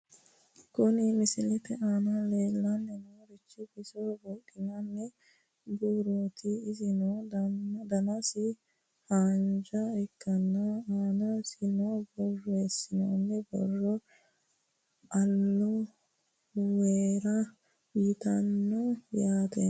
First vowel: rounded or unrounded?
rounded